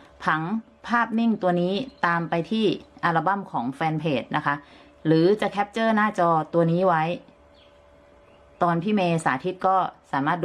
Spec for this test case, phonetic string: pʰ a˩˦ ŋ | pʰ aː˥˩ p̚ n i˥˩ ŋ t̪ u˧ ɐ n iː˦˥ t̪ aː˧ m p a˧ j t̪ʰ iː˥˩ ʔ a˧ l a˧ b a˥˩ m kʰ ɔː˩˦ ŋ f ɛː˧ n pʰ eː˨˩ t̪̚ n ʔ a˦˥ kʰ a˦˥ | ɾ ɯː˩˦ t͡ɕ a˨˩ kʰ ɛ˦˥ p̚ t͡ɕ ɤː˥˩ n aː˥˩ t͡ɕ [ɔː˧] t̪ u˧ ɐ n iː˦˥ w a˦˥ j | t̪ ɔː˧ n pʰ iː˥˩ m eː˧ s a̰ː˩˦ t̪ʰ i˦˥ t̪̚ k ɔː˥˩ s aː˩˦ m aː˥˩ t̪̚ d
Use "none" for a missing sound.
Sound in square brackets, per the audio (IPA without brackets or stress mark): ɔː˧